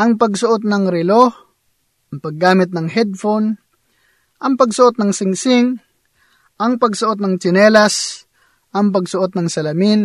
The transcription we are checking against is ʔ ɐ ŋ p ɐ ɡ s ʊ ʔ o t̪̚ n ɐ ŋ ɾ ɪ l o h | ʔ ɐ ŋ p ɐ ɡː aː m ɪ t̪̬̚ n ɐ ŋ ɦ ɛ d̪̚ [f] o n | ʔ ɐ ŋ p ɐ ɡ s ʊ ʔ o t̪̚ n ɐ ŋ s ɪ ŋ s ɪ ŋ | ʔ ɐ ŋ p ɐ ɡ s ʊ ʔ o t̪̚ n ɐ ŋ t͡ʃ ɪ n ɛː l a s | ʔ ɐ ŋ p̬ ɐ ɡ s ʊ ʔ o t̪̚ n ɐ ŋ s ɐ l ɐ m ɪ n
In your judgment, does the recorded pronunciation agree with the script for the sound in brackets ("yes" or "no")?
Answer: yes